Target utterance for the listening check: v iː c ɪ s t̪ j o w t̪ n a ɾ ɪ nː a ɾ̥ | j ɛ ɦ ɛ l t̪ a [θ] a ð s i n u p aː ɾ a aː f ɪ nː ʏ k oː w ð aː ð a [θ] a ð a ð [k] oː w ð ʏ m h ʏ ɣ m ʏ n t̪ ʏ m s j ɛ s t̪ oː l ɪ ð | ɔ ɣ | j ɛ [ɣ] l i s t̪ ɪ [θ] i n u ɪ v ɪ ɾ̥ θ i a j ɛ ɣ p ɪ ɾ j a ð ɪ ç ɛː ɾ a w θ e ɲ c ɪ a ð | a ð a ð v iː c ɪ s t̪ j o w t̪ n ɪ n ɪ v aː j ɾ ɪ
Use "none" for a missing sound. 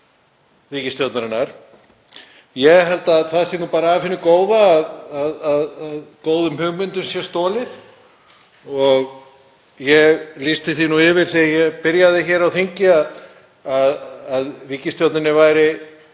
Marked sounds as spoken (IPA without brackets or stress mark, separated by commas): θ, ð, k, ɣ, θ